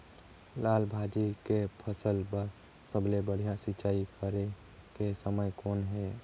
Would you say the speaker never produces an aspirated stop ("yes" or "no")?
no